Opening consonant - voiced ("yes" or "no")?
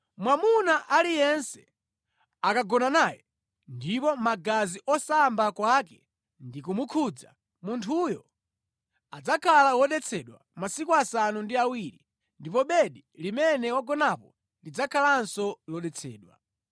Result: yes